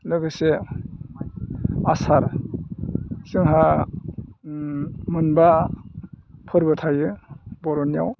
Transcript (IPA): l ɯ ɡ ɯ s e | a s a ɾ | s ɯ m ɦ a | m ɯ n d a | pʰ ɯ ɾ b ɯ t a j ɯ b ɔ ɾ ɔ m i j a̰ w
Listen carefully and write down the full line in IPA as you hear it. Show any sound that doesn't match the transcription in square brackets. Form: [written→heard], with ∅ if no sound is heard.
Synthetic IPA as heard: l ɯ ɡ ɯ s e | a s a ɾ | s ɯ [m→ŋ] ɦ a | m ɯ n [d→b] a | pʰ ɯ ɾ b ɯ [t→tʰ] a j ɯ b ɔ ɾ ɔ [m→n] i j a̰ w